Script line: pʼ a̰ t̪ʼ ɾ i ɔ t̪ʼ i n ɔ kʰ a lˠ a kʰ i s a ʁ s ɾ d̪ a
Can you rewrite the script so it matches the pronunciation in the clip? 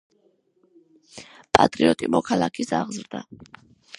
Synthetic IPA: pʼ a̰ t̪ʼ ɾ i ɔ t̪ʼ i m ɔ kʰ a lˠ a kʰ i s a ʁ z ɾ d̪ a

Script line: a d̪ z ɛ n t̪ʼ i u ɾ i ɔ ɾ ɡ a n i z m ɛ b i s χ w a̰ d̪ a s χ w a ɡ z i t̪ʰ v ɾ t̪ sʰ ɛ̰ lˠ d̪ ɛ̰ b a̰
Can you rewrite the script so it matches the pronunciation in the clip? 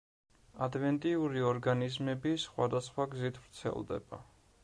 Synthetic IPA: a d̪ v ɛ n t̪ʼ i u ɾ i ɔ ɾ ɡ a n i z m ɛ b i s χ w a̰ d̪ a s χ w a ɡ z i t̪ʰ v ɾ t̪ sʰ ɛ̰ lˠ d̪ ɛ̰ b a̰

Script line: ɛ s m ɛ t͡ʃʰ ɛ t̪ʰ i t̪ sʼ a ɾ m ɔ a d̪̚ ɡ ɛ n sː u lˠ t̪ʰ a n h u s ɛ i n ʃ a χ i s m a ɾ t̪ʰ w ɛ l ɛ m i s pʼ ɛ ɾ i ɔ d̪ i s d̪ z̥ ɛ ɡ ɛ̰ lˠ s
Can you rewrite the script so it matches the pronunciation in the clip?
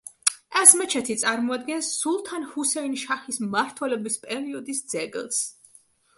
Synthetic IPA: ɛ s m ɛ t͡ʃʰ ɛ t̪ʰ i t̪ sʼ a ɾ m ɔ a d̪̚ ɡ ɛ n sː u lˠ t̪ʰ a n h u s ɛ i n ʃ a χ i s m a ɾ t̪ʰ w ɛ l ɛ b i s pʼ ɛ ɾ i ɔ d̪ i s d̪ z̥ ɛ ɡ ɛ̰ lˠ s

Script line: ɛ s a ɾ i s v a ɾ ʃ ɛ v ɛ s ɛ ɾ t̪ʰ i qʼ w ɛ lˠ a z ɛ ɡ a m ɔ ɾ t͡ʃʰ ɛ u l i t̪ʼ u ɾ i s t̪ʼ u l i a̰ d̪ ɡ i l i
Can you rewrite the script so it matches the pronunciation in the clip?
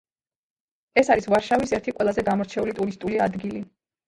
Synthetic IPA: ɛ s a ɾ i s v a ɾ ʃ a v i s ɛ ɾ t̪ʰ i qʼ w ɛ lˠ a z ɛ ɡ a m ɔ ɾ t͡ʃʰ ɛ u l i t̪ʼ u ɾ i s t̪ʼ u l i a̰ d̪ ɡ i l i

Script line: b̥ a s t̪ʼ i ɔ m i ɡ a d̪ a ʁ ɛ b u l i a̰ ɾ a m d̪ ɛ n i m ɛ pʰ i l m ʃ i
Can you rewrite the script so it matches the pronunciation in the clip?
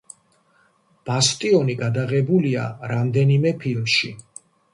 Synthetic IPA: b̥ a s t̪ʼ i ɔ n i ɡ a d̪ a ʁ ɛ b u l i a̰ ɾ a m d̪ ɛ n i m ɛ pʰ i l m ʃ i

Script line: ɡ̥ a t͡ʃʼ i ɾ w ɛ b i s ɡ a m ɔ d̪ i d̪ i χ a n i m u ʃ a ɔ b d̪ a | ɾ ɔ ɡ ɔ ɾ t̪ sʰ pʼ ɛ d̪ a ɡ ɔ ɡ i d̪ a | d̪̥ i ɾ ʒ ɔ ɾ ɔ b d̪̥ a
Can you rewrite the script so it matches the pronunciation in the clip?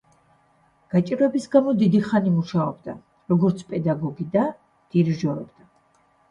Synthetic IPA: ɡ̥ a t͡ʃʼ i ɾ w ɛ b i s ɡ a m ɔ d̪ i d̪ i χ a n i m u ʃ a ɔ b d̪ a | ɾ ɔ ɡ ɔ ɾ t̪ sʰ pʼ ɛ d̪ a ɡ ɔ ɡ i d̪ a | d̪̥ i ɾ ʒ ɔ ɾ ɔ b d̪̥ a

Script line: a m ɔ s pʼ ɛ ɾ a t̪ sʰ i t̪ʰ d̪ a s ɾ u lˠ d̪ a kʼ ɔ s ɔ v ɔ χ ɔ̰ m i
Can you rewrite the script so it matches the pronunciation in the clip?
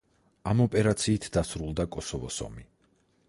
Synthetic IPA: a m ɔ pʼ ɛ ɾ a t̪ sʰ iː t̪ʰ d̪ a s ɾ u lˠ d̪ a kʼ ɔ s ɔ v ɔ s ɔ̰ m i

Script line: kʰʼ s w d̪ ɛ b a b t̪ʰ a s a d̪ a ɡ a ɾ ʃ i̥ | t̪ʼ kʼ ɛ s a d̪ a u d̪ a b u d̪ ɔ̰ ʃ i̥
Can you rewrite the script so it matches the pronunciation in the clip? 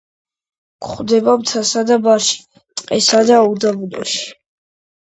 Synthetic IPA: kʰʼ χ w d̪ ɛ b a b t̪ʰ a s a d̪ a b a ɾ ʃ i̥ | t̪ʼ qʼ ɛ s a d̪ a u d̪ a b u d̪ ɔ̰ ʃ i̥

